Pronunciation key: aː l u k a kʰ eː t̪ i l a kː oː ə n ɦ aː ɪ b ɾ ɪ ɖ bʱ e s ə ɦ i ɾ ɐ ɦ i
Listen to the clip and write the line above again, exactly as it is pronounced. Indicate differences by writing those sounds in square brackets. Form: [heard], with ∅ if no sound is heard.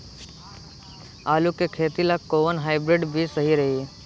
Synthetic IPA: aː l u k [e] kʰ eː t̪ i l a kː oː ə n ɦ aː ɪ b ɾ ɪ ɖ bʱ [i] s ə ɦ i ɾ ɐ ɦ i